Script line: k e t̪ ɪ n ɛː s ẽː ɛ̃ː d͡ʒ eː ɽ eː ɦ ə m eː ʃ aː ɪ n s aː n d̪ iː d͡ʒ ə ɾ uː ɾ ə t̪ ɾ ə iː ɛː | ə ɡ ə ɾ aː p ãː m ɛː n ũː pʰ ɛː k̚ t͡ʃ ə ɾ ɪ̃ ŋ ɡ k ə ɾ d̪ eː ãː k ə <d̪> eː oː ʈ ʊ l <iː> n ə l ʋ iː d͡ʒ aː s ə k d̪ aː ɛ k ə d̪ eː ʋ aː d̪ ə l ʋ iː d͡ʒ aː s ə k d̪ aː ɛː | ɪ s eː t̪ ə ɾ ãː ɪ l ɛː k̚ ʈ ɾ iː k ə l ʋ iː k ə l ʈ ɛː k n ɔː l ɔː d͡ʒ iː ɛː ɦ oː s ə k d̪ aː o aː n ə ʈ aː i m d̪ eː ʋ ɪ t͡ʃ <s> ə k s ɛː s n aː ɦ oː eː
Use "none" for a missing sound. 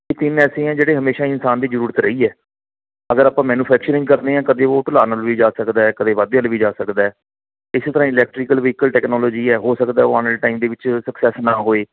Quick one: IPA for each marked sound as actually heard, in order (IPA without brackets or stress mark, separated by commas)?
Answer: d̪, aː, s